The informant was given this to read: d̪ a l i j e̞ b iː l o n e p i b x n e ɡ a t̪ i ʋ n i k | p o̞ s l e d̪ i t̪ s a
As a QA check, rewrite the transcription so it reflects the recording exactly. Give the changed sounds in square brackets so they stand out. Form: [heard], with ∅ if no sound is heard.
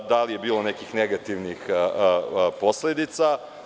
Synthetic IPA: d̪ a l i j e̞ b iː l o n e [k] i [∅] x n e ɡ a t̪ i ʋ n i [x] | p o̞ s l e d̪ i t̪ s a